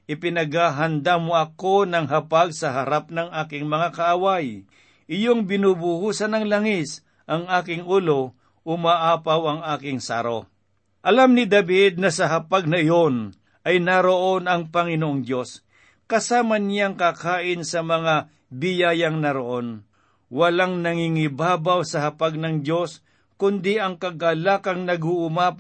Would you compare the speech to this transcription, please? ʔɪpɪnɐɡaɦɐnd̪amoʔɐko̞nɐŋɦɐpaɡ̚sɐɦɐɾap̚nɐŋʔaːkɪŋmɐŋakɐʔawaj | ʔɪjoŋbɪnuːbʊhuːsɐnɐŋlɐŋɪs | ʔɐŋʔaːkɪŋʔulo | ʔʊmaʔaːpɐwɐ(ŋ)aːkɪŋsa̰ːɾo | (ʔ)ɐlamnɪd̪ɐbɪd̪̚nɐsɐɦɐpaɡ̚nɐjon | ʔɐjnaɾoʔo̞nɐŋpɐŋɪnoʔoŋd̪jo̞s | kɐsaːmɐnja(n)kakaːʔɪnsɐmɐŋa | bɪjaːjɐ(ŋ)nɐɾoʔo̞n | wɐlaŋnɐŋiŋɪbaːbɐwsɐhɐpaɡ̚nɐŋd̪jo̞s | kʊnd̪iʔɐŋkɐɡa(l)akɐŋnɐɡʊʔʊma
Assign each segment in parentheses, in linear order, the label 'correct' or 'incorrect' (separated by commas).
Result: correct, correct, incorrect, correct, correct